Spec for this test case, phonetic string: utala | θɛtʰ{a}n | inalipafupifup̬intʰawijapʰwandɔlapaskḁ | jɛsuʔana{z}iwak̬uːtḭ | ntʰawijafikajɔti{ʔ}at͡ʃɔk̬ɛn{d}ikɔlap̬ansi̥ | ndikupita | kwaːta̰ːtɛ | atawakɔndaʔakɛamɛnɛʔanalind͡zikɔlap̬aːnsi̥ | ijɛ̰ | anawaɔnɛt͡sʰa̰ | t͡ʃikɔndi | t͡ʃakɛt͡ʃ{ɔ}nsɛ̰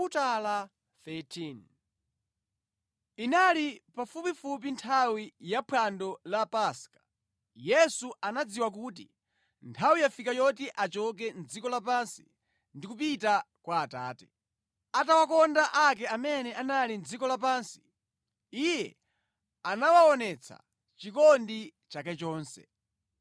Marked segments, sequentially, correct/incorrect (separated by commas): incorrect, incorrect, correct, incorrect, incorrect